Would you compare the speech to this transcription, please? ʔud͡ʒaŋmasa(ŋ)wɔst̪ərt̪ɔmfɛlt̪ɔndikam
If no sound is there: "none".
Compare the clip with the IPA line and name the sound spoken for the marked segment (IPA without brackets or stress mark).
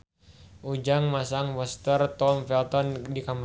ŋ